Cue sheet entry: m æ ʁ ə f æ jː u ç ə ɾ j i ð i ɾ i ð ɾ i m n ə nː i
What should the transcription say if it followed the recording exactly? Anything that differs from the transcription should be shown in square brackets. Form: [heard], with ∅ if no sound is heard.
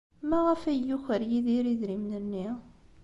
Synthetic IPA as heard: m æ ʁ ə f æ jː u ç ə ɾ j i ð i ɾ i ð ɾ i m n ə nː i